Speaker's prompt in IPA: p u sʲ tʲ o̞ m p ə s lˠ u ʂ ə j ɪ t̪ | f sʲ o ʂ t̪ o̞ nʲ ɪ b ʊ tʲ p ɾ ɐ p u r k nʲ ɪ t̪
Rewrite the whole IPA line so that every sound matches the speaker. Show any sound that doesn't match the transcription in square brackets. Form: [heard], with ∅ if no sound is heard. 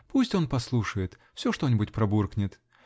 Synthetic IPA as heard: p u sʲ tʲ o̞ [n] p [ɐ] s lˠ u ʂ ə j ɪ t̪ | f sʲ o ʂ t̪ o̞ nʲ ɪ b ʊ tʲ p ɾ ɐ [b] u r k nʲ ɪ t̪